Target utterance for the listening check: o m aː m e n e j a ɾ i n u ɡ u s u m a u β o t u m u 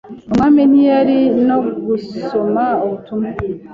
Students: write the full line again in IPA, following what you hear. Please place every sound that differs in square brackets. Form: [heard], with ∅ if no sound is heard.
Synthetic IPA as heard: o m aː m e n [i] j a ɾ i n [o] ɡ u s [o] m a [o] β [u] t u m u